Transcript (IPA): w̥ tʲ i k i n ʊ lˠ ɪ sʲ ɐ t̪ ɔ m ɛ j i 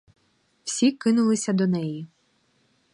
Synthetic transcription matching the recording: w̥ sʲ i k ɪ n ʊ lˠ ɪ sʲ ɐ d̪ ɔ n ɛ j i